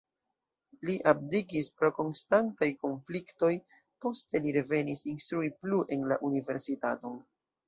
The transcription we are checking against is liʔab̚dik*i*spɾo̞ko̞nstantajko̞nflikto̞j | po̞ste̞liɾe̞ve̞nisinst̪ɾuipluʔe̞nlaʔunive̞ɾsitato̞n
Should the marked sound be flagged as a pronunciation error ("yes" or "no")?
no